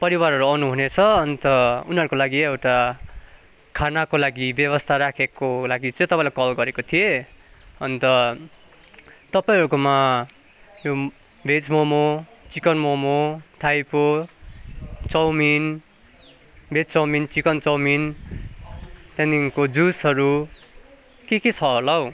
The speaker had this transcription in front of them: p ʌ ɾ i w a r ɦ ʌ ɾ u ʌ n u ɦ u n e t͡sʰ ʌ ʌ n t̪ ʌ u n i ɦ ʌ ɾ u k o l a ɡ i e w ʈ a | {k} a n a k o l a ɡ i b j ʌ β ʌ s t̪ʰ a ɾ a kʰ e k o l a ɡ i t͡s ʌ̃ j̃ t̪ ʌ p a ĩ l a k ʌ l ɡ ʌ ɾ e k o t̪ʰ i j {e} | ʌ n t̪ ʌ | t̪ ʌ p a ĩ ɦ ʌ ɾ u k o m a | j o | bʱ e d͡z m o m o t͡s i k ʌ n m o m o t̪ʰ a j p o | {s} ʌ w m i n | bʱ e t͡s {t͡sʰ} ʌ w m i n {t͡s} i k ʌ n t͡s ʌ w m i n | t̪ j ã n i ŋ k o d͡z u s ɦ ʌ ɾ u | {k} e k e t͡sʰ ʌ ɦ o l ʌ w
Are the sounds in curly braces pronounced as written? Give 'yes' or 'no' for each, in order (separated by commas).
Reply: no, yes, no, no, yes, yes